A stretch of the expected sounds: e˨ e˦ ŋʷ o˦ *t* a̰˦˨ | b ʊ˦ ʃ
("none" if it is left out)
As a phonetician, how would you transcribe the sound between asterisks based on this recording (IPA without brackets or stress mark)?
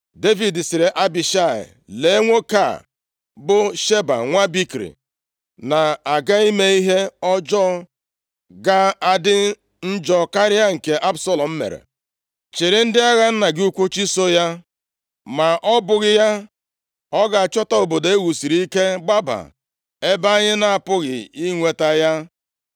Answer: k